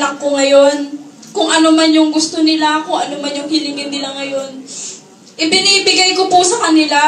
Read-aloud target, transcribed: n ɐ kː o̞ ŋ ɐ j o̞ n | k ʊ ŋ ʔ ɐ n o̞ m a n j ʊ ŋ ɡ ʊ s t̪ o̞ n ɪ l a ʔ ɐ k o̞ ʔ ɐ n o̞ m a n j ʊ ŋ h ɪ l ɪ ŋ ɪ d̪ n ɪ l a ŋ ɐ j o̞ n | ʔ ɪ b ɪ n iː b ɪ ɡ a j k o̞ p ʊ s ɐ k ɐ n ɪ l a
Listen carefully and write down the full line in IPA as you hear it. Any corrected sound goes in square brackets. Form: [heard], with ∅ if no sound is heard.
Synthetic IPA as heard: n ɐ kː o̞ ŋ ɐ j o̞ n | k ʊ ŋ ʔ ɐ n o̞ m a n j ʊ ŋ ɡ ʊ s t̪ o̞ n ɪ l a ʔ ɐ k o̞ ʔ ɐ n o̞ m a n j ʊ ŋ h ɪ l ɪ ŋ ɪ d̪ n ɪ l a ŋ ɐ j o̞ n | ʔ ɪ b ɪ n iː b ɪ ɡ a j k o̞ p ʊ s ɐ k ɐ n ɪ l a

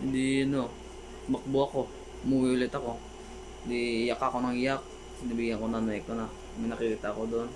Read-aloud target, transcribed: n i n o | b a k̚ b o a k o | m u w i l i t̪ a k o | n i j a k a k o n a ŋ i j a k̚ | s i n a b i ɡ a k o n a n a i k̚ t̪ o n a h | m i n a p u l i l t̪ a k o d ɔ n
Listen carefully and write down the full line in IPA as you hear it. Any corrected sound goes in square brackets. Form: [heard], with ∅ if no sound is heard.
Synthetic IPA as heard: [d] i n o | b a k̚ b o a k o | m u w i l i t̪ a k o | [d] i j a k a k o n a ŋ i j a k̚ | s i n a b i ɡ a k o n a n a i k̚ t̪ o n a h | m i n a [k] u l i [∅] t̪ a k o d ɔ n

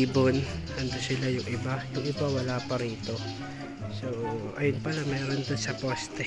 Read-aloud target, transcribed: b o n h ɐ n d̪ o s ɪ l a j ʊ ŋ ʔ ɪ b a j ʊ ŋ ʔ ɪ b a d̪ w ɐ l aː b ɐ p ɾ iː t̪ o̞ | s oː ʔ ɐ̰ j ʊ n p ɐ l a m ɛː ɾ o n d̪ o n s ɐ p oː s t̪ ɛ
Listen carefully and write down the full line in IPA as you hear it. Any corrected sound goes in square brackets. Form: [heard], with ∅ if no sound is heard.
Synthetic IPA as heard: b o n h ɐ n d̪ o s ɪ l a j ʊ ŋ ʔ ɪ b a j ʊ ŋ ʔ ɪ b a [∅] w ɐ l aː [p] ɐ [∅] ɾ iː t̪ o̞ | s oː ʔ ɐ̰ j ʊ n p ɐ l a m ɛː ɾ o n d̪ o n s ɐ p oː s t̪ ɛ

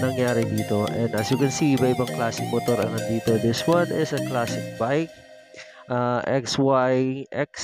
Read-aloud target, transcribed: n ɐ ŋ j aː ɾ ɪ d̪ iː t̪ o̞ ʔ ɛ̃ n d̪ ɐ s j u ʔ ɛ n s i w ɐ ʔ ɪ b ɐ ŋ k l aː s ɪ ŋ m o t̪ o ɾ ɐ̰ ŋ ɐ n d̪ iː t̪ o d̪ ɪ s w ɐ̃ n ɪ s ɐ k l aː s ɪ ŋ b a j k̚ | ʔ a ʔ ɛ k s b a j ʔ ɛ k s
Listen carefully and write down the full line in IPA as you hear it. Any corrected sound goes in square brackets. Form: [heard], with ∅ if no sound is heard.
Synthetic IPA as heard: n ɐ ŋ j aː ɾ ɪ d̪ iː t̪ o̞ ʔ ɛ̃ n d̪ ɐ s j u [k] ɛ n s i [b] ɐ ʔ ɪ b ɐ ŋ k l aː s ɪ ŋ m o t̪ o ɾ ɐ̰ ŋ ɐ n d̪ iː t̪ o d̪ ɪ s w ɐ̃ n ɪ s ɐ k l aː s ɪ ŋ b a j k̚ | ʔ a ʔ ɛ k s [w] a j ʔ ɛ k s

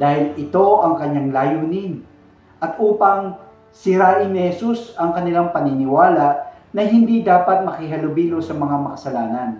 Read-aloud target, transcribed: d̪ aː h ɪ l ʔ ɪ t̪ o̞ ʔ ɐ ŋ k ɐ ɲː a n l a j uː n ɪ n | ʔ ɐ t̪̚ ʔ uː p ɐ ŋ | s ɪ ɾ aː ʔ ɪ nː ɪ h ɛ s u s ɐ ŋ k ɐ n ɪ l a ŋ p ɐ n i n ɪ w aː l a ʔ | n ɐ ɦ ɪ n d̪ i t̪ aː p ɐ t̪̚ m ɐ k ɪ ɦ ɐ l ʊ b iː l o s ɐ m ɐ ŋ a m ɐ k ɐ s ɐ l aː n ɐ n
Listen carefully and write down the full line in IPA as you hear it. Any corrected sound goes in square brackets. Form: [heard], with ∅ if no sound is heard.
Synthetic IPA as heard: d̪ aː h ɪ l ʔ ɪ t̪ o̞ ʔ ɐ ŋ k ɐ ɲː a [ŋ] l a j uː n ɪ n | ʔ ɐ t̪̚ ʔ uː p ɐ ŋ | s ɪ ɾ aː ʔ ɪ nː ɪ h ɛ s u s ɐ ŋ k ɐ n ɪ l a ŋ p ɐ n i n ɪ w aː l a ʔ | n ɐ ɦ ɪ n d̪ i [d̪] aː p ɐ t̪̚ m ɐ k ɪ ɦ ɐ l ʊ b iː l o s ɐ m ɐ ŋ a m ɐ k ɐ s ɐ l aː n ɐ n

